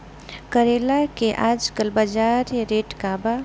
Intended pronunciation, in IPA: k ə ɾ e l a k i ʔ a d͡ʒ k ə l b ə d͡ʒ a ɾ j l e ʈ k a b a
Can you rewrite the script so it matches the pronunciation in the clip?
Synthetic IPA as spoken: k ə ɾ e l a k e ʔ a d͡ʒ k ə l b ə d͡ʒ a ɾ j ɾ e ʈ k a b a